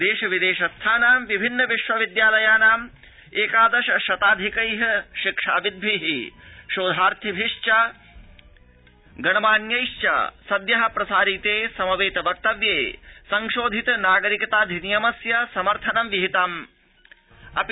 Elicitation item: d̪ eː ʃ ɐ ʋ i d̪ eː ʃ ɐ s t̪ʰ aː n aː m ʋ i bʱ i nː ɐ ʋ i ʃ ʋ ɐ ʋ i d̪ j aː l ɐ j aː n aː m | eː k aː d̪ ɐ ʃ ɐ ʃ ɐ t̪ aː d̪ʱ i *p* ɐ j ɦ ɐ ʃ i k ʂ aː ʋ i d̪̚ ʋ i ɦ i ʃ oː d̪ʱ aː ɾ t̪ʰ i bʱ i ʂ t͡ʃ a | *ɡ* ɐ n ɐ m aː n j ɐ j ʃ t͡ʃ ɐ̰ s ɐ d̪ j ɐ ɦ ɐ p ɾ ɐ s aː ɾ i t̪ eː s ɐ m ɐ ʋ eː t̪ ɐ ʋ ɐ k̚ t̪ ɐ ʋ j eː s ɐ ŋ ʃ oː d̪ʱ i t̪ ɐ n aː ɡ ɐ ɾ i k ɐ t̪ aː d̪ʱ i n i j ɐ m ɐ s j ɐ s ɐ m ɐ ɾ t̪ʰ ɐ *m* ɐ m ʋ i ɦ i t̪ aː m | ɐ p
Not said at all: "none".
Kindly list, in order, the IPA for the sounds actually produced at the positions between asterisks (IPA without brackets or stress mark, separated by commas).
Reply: k, ɡ, n